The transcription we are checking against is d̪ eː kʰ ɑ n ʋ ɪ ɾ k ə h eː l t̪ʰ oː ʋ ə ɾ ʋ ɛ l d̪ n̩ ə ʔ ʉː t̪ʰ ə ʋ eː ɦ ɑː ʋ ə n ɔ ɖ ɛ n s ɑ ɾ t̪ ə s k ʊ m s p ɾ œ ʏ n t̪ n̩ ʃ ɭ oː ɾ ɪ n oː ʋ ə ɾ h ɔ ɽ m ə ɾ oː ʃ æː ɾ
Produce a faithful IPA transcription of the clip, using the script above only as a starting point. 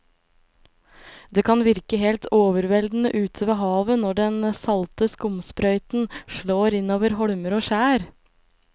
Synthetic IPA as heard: d̪ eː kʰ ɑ n ʋ ɪ ɾ k ə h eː l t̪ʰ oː ʋ ə ɾ ʋ ɛ l d̪ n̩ ə ʔ ʉː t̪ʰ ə ʋ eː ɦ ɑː ʋ ə n ɔ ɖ ɛ n s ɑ l t̪ ə s k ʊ m s p ɾ œ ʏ t̪ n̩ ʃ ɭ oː ɾ ɪ n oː ʋ ə ɾ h ɔ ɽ m ə ɾ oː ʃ æː ɾ